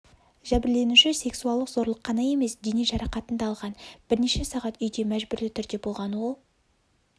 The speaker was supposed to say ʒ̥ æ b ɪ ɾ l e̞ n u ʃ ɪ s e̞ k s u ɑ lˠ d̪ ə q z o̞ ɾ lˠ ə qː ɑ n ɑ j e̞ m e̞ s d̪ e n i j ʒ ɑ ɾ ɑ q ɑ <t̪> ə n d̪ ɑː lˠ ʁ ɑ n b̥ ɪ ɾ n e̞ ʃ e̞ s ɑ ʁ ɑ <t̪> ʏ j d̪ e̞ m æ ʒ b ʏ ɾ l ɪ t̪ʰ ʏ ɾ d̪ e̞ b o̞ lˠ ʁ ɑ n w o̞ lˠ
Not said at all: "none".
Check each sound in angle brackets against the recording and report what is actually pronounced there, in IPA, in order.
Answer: t̪, t̪

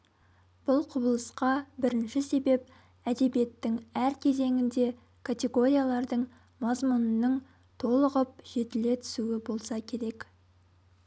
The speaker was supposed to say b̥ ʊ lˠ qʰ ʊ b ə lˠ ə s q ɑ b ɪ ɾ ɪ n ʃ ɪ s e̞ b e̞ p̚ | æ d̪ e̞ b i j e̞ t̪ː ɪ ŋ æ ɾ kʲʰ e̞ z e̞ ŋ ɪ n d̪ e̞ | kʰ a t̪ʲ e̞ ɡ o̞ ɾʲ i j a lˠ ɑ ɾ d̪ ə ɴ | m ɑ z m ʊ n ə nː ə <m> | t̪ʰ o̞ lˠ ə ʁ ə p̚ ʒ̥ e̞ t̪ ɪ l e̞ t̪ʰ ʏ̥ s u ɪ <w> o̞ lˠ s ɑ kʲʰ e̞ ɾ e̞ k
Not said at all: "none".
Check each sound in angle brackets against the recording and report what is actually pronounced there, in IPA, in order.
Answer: ɴ, b

